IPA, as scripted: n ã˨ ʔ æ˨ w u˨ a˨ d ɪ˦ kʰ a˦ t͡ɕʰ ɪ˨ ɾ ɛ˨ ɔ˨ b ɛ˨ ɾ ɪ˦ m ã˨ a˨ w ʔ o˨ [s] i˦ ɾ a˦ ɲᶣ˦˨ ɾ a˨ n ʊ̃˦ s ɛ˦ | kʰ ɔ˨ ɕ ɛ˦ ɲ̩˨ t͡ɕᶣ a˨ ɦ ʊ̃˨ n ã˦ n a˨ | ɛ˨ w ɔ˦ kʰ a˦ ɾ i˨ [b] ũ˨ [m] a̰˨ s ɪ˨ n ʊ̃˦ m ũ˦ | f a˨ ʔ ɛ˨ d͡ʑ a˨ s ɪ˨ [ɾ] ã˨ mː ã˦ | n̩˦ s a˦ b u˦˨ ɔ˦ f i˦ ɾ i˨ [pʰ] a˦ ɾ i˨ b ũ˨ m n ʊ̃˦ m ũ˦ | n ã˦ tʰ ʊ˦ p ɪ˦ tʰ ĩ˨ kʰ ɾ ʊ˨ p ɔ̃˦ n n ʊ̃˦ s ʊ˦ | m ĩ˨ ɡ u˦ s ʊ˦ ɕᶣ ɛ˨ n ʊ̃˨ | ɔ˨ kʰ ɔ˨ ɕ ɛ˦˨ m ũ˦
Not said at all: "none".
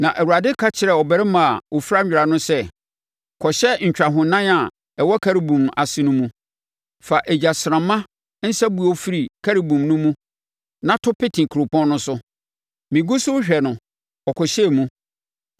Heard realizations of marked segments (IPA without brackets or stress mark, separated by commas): f, b, m, ɾ, kʰ